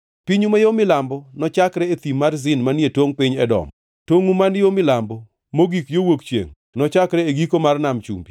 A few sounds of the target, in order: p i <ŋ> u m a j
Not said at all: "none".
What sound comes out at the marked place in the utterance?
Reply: ɲ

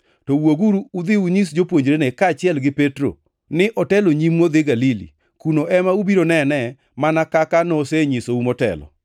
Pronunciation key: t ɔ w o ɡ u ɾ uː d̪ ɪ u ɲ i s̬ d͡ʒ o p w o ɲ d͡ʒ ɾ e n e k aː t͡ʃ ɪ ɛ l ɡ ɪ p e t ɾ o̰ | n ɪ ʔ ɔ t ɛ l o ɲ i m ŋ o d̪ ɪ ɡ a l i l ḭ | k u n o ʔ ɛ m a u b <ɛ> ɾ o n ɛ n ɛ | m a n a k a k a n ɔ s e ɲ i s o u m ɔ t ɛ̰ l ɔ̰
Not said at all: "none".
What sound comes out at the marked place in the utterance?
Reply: i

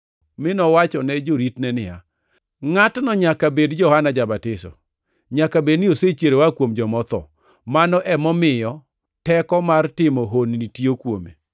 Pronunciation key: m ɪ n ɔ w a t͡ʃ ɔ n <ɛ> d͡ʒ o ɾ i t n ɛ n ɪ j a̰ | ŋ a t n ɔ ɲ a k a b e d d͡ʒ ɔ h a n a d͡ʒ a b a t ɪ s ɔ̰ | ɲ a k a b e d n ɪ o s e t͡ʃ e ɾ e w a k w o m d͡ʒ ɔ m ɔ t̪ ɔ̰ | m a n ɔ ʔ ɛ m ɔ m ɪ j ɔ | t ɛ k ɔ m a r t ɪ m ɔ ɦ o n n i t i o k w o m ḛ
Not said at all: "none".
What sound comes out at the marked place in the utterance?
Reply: ɛ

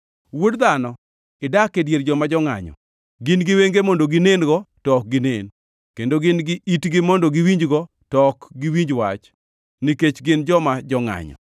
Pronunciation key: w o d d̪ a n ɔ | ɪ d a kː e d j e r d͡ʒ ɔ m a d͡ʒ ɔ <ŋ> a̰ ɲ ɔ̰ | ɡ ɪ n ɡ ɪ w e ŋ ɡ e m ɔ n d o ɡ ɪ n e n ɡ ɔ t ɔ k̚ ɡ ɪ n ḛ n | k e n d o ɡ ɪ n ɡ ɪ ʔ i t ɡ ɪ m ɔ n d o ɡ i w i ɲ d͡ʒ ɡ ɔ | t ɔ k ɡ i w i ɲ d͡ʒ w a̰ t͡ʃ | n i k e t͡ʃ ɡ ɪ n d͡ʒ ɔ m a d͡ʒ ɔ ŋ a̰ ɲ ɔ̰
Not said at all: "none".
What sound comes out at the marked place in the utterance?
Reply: ŋ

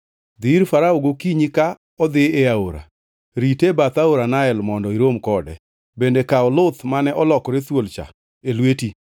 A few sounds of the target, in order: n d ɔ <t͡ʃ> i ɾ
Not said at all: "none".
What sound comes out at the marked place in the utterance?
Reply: none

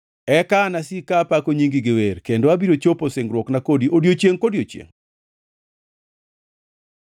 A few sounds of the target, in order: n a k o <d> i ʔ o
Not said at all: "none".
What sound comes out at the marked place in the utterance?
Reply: d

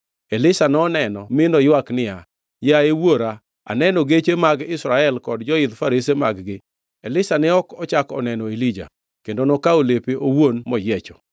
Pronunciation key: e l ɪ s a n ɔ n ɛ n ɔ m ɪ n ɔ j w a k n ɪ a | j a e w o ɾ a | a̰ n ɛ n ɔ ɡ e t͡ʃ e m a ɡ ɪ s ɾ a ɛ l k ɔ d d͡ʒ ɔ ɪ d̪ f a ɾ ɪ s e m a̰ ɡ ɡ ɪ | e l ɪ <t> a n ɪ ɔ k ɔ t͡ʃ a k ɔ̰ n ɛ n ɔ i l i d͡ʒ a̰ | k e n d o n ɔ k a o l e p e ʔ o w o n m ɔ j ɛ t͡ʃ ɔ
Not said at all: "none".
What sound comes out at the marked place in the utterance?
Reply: s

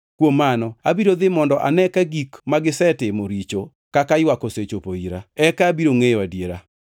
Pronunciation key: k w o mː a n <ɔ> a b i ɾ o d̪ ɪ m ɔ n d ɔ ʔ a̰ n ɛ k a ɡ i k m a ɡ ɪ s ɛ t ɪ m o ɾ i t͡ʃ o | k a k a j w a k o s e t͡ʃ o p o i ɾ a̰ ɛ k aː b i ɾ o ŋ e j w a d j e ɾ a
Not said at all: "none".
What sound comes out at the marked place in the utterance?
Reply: ɔ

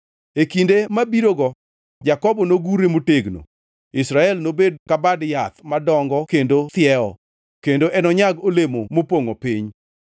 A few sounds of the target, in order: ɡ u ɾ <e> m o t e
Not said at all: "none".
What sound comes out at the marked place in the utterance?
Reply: e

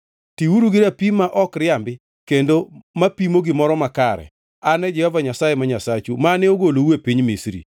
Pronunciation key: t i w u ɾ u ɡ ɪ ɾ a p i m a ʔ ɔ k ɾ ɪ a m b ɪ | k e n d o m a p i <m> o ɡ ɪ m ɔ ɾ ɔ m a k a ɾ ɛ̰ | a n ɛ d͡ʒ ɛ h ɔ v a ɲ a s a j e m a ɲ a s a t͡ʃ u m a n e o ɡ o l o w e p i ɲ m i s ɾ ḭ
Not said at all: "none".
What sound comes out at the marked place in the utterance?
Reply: m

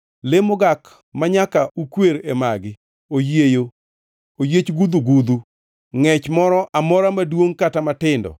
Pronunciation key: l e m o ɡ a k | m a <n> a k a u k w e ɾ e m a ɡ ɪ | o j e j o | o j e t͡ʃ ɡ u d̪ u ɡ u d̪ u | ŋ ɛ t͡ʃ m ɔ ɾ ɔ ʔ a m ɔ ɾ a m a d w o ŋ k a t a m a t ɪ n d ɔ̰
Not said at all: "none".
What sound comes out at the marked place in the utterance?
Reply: ɲ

